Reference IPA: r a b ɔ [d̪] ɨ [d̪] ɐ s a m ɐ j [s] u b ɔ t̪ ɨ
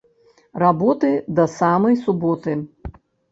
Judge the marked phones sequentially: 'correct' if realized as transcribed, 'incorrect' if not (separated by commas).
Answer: incorrect, correct, correct